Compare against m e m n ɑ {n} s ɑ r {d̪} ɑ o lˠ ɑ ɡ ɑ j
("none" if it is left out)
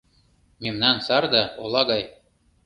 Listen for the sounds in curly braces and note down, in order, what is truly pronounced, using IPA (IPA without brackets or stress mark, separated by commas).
n, d̪